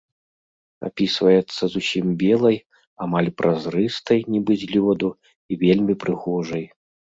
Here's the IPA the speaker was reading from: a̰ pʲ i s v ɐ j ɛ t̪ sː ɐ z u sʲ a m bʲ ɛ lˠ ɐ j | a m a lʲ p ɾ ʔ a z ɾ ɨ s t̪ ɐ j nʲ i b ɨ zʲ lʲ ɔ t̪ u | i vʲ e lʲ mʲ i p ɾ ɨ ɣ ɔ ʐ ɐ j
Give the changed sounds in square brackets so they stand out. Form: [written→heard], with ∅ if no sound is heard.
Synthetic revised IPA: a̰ pʲ i s v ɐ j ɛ t̪ sː ɐ z u sʲ [a→i] m bʲ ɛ lˠ ɐ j | a m a lʲ p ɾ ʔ a z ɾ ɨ s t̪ ɐ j nʲ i b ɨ zʲ lʲ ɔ [t̪→d̪] u | i vʲ e lʲ mʲ i p ɾ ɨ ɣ ɔ ʐ ɐ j